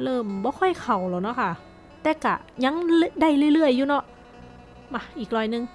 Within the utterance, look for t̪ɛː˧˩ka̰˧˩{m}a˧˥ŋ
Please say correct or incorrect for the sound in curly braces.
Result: incorrect